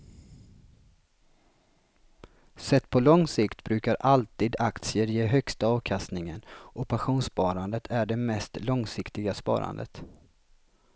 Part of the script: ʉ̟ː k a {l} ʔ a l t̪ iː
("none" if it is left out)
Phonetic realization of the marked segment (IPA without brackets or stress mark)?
ɾ